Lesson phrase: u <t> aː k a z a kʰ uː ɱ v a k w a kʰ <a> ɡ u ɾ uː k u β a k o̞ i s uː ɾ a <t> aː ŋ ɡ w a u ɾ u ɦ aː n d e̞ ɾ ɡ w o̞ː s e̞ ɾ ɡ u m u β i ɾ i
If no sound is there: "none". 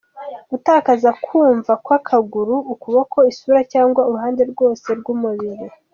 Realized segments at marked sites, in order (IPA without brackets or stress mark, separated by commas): t, a, c